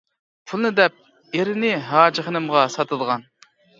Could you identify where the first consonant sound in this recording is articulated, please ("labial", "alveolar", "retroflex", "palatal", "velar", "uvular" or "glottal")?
labial